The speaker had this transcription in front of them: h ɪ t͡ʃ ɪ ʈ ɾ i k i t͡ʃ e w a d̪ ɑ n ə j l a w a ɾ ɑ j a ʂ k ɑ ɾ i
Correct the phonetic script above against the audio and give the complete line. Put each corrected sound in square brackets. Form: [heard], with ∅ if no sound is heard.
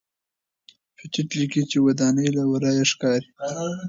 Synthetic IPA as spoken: [f] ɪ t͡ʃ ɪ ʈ [l] i k i t͡ʃ e w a d̪ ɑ n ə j l a w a ɾ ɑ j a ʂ k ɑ ɾ i